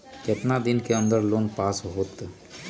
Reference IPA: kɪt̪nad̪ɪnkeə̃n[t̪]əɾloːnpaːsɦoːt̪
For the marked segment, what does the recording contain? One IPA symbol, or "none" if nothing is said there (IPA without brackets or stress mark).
d̪